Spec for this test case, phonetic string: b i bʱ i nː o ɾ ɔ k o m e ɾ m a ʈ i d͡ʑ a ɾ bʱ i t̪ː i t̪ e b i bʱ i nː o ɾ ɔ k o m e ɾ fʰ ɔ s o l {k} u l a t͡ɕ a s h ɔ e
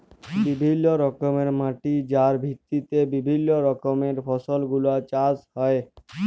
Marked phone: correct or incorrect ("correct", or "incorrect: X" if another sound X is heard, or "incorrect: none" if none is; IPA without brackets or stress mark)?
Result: incorrect: ɡ